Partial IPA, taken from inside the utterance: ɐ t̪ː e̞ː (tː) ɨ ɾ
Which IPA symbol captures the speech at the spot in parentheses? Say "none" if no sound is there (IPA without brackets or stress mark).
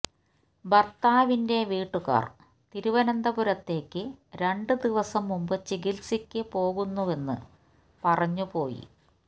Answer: kː